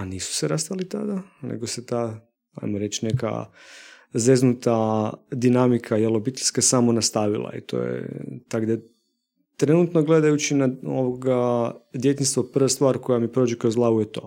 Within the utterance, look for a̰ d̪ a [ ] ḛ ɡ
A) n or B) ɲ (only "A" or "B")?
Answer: A